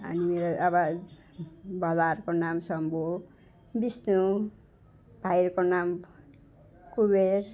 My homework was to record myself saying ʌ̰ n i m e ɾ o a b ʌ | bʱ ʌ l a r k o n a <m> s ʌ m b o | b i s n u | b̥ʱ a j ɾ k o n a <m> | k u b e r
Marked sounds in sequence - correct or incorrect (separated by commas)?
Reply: correct, correct